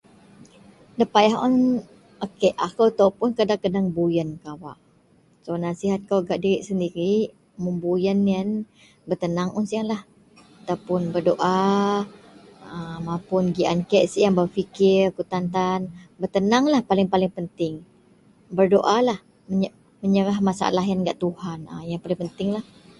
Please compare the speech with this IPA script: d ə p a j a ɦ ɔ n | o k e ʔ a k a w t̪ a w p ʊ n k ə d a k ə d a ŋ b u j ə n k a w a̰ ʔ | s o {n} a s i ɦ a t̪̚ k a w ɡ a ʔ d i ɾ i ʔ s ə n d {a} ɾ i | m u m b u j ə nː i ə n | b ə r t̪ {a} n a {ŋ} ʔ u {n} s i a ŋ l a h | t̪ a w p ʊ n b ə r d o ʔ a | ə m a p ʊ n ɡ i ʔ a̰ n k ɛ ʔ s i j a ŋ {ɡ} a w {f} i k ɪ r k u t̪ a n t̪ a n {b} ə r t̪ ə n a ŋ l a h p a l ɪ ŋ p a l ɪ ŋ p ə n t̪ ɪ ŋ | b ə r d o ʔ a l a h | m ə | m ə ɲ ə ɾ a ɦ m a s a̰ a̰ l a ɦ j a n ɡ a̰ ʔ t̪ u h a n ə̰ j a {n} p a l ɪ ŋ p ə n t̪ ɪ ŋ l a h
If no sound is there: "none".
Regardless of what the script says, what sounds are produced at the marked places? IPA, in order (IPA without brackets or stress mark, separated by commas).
n, i, ə, ŋ, n, b, f, b, ŋ